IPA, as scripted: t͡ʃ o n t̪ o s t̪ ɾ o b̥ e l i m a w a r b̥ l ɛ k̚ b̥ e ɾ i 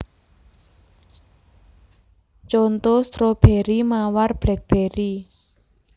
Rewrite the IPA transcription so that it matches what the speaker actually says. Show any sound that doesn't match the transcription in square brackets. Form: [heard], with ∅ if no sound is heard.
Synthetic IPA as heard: t͡ʃ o n t̪ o s t̪ ɾ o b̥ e [ɾ] i m a w a r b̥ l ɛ k̚ b̥ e ɾ i